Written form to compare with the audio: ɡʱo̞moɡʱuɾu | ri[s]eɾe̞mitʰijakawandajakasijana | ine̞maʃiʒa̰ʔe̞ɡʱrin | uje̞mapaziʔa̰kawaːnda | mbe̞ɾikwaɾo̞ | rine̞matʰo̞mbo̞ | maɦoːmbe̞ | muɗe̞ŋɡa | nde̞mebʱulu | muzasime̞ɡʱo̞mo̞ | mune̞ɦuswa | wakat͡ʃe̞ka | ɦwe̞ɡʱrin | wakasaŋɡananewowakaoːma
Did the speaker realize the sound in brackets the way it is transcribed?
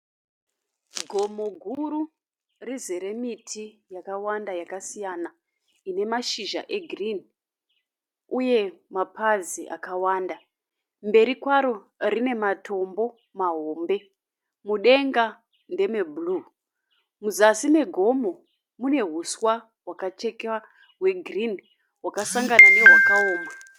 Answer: no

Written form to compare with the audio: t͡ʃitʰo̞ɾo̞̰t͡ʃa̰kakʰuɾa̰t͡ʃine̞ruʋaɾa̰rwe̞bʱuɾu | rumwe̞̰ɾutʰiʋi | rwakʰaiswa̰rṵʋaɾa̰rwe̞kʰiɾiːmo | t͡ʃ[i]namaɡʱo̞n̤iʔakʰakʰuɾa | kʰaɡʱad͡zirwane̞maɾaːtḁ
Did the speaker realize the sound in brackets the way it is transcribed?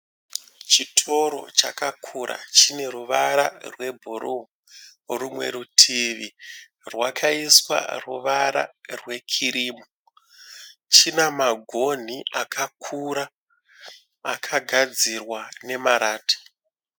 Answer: yes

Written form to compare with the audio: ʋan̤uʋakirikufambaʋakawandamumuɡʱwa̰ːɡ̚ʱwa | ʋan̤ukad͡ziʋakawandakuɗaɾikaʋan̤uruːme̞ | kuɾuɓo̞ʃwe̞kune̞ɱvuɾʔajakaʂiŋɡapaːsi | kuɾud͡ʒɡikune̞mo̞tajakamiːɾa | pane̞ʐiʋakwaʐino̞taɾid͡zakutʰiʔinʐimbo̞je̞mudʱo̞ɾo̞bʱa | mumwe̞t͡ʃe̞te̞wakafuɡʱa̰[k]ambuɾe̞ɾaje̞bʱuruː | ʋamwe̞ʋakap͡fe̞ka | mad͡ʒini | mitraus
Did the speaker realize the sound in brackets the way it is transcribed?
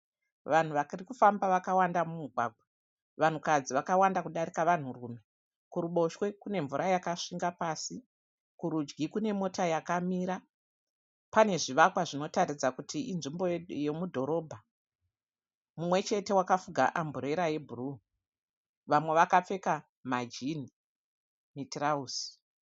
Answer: no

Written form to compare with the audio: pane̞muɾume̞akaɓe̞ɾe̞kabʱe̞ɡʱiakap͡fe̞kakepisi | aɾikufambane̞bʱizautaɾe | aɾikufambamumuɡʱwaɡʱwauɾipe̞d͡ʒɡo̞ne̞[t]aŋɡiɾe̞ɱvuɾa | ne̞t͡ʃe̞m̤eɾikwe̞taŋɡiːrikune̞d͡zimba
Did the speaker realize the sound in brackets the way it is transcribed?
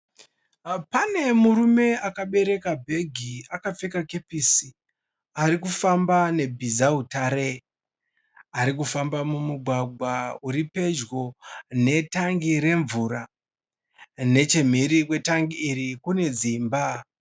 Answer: yes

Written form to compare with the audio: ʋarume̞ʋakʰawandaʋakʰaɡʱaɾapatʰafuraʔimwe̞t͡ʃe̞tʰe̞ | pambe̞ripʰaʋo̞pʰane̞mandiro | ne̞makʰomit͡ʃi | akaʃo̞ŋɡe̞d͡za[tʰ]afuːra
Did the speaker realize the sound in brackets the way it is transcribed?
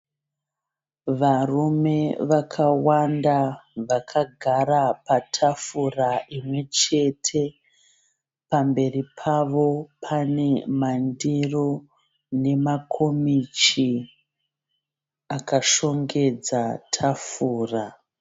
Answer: yes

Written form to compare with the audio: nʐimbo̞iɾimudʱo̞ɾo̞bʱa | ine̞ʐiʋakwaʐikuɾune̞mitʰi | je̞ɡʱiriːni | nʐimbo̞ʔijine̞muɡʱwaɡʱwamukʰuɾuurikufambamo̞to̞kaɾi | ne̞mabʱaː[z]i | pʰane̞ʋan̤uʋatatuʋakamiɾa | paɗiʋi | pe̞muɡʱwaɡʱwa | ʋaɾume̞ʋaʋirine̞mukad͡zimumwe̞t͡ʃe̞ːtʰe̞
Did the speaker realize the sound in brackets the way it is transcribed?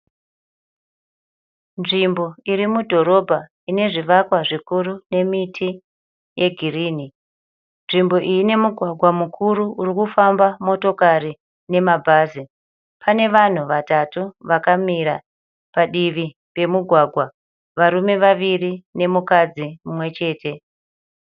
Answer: yes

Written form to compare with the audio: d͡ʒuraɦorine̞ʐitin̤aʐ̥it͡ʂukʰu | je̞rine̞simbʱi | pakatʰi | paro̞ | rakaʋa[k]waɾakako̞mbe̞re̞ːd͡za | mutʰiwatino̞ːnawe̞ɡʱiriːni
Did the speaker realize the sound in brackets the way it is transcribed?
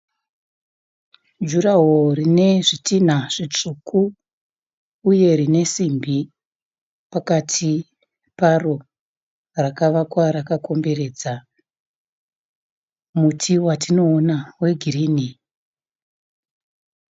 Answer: yes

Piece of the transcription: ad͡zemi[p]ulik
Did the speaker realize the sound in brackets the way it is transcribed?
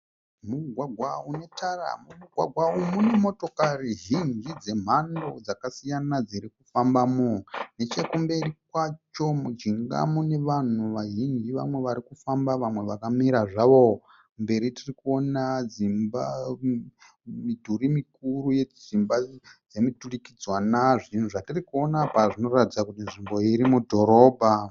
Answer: no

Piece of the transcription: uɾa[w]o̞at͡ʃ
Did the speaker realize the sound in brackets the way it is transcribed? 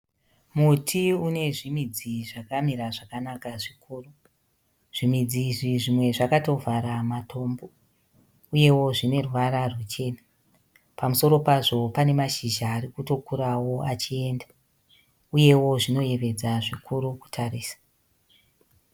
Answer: yes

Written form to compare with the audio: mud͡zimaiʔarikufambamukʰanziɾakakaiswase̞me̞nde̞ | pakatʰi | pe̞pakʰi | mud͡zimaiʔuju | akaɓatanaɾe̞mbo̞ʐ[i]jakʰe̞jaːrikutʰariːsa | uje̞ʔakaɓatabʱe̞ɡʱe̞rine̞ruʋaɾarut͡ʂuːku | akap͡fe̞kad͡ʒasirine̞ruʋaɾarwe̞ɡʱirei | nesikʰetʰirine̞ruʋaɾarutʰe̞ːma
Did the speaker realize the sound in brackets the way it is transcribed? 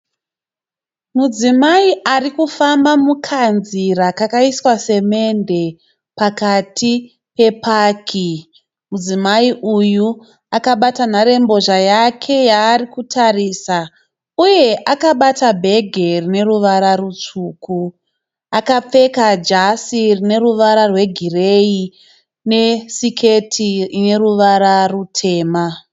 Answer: no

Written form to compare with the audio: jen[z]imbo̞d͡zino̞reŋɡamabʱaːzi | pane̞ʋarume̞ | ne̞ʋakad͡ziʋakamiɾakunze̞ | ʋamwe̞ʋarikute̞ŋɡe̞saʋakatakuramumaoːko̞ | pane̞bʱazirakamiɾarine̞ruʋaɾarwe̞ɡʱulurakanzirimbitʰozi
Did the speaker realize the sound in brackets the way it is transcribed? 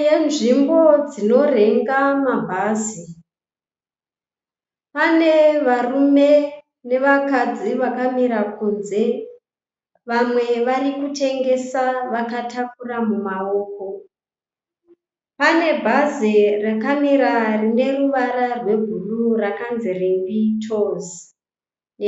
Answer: no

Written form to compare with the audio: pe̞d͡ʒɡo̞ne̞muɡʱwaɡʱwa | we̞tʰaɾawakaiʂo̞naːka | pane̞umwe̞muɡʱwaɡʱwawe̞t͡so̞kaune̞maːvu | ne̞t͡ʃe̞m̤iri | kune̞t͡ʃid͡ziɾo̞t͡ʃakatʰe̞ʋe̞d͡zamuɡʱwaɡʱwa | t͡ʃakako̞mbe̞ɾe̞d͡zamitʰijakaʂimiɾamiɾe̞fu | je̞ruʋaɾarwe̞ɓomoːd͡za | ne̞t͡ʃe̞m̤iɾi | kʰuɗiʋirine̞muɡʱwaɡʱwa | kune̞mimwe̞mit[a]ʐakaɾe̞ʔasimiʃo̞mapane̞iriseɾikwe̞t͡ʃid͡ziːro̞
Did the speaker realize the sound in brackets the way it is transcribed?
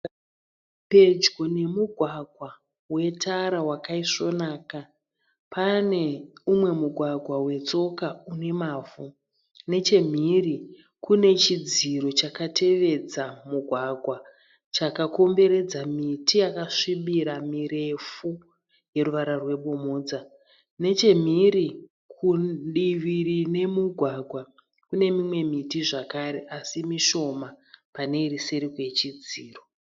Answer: no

